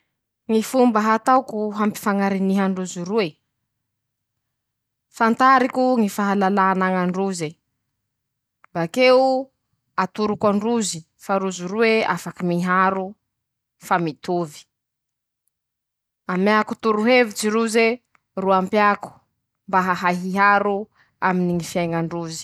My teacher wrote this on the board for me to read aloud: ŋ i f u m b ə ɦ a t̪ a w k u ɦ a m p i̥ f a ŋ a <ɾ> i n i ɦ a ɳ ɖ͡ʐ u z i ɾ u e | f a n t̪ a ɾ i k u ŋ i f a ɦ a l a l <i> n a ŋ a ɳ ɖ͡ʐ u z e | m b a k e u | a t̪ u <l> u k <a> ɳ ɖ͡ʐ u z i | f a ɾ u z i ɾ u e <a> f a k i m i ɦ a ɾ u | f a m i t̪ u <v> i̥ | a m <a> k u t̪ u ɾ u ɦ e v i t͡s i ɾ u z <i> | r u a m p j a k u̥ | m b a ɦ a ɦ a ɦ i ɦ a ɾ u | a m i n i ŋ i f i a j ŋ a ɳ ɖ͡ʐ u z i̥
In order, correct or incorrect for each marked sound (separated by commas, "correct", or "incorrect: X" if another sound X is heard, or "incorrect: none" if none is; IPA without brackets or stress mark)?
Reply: correct, incorrect: a, incorrect: ɾ, correct, correct, correct, correct, incorrect: e